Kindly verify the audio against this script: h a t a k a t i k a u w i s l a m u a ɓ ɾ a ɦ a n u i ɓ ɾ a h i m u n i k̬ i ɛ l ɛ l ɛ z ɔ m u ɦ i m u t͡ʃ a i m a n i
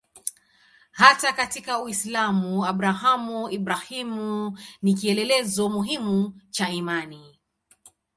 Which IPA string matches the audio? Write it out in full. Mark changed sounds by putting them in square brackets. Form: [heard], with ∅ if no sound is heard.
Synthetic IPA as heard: h a t a k a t i k a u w i s l a m u a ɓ ɾ a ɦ a [m] u i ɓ ɾ a h i m u n i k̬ i ɛ l ɛ l ɛ z ɔ m u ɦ i m u t͡ʃ a i m a n i